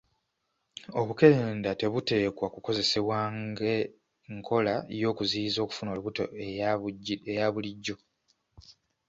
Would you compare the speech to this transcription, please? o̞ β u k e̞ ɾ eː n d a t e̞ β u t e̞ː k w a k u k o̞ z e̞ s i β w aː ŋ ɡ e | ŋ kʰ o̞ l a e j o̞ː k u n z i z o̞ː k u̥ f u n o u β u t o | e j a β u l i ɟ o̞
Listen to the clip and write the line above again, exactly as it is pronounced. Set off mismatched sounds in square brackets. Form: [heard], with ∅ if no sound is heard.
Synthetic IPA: o̞ β u k e̞ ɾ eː n d a t e̞ β u t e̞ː k w a k u k o̞ z e̞ s [e] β w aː ŋ ɡ e | ŋ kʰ o̞ l a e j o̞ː k u [∅] z i z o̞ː k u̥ f u n o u β u t o | e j a β u l i [ɟː] o̞